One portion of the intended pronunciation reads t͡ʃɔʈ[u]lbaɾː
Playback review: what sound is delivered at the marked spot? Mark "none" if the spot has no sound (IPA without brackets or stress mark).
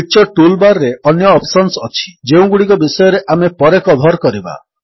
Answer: u